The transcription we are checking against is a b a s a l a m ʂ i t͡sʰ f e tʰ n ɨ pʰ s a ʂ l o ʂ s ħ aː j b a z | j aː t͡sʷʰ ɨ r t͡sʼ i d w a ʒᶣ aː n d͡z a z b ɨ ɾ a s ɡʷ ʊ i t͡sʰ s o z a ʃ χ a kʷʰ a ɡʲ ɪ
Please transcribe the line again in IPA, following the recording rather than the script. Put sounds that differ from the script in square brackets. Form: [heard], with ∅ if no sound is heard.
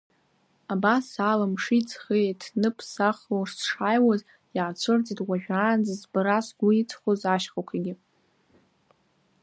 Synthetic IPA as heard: a b a s a l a m ʂ i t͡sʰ [χ] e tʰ n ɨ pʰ s a [χ] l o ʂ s [ʂ] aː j [w] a z | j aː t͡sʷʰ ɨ r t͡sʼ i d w a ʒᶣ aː n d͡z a z b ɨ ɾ a s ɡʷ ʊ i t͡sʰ [χ] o z a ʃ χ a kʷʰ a ɡʲ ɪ